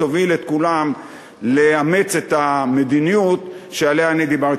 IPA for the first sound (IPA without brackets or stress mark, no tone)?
o